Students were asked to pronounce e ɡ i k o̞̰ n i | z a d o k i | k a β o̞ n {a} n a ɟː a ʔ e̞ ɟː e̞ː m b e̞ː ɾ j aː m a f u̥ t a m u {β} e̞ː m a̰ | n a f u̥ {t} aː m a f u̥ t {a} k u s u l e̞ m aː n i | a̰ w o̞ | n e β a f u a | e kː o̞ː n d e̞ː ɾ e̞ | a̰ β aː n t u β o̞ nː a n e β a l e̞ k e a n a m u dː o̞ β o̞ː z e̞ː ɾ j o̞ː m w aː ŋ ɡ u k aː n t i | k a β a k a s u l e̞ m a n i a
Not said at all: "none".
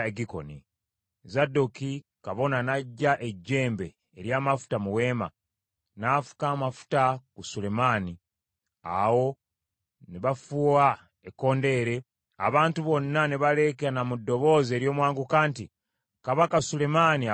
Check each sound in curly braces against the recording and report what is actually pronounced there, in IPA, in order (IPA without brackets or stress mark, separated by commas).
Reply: a, w, k, a